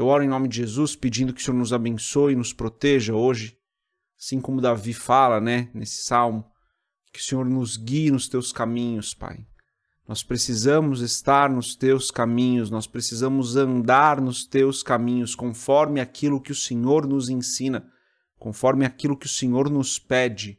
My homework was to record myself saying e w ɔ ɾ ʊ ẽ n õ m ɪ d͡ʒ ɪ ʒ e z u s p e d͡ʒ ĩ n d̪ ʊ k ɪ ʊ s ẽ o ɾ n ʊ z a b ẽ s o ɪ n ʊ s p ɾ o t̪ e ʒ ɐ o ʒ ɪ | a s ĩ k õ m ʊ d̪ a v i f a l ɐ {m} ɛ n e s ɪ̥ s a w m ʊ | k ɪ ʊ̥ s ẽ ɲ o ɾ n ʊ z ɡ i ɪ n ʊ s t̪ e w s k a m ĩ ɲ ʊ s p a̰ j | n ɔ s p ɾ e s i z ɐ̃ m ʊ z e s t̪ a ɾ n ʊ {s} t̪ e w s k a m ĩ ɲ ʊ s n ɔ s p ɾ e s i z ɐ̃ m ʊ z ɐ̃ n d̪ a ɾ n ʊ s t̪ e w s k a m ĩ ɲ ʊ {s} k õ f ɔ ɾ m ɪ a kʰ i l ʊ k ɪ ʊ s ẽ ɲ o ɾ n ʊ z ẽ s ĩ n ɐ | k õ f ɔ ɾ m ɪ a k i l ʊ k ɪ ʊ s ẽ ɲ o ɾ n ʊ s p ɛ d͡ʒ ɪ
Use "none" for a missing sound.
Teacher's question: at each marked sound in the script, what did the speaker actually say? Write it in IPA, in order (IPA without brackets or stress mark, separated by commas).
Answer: n, s, s